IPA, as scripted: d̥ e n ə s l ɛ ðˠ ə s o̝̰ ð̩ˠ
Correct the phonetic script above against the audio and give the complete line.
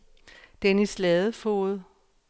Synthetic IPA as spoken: d̥ e n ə s l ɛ ðˠ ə f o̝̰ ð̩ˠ